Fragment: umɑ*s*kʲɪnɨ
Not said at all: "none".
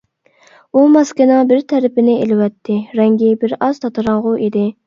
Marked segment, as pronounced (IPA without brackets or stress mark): s